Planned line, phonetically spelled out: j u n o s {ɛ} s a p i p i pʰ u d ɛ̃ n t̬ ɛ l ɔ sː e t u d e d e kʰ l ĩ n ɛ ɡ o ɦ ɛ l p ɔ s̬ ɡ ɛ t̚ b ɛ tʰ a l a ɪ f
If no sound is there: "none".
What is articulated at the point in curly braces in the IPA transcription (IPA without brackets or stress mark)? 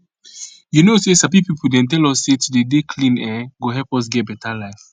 e